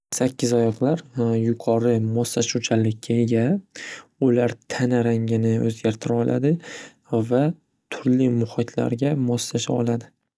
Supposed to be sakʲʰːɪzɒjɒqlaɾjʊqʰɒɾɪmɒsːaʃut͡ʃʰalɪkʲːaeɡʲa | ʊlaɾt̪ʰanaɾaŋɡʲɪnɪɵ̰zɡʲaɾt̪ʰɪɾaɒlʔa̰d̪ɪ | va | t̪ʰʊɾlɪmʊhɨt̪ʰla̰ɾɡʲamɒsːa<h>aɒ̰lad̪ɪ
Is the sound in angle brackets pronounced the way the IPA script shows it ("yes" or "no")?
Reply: no